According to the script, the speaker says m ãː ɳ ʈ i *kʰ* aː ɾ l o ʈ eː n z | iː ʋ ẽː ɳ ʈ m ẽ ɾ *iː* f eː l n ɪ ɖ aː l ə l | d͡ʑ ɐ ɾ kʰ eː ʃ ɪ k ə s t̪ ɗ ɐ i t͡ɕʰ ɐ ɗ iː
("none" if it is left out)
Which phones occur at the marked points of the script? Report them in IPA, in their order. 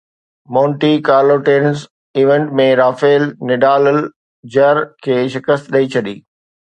k, aː

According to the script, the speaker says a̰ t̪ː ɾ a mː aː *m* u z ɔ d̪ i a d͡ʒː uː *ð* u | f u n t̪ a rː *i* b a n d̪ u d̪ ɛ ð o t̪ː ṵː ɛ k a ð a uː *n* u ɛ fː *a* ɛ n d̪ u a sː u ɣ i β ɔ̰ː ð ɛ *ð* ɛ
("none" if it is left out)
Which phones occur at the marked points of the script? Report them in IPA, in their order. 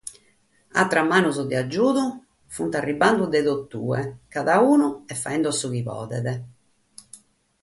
n, ð, i, n, a, ð

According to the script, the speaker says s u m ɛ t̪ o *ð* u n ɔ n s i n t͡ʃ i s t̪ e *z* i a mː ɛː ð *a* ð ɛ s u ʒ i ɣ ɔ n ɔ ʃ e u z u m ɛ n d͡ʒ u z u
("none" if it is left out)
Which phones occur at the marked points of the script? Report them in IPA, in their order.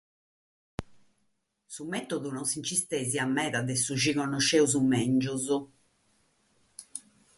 ð, z, a

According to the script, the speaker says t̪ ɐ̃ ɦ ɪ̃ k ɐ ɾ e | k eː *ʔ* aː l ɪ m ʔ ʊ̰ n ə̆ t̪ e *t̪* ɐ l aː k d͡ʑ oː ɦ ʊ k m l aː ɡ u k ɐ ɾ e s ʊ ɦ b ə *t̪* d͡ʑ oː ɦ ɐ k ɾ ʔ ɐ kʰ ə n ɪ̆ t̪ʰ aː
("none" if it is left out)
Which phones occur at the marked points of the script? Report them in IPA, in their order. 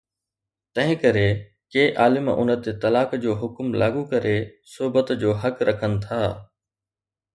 ʔ, t̪, t̪

